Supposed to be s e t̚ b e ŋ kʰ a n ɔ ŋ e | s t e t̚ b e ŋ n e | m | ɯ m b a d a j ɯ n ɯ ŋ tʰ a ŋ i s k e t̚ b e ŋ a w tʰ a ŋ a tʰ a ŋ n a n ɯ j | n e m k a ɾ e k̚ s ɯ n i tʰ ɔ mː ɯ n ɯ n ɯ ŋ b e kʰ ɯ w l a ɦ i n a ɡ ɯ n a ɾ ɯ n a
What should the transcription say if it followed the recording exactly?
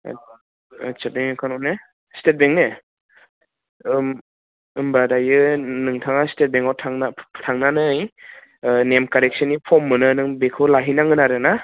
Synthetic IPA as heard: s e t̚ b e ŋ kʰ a n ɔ n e | s t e t̚ b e ŋ n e | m | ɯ m b a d a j ɯ n ɯ ŋ tʰ a ŋ a s t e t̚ b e ŋ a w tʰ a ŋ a tʰ a ŋ n a n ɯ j | n e m k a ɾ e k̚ s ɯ n i pʰ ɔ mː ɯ n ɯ n ɯ ŋ b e kʰ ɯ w l a ɦ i n a ŋ ɯ n a ɾ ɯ n a